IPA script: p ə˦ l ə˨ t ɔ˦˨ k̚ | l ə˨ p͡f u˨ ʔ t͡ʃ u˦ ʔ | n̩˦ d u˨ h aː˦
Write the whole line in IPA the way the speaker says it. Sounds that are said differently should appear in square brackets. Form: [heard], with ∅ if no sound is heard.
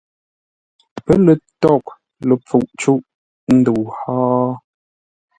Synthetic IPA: p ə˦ l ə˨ t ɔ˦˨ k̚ | l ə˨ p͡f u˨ ʔ t͡ʃ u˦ ʔ | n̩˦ d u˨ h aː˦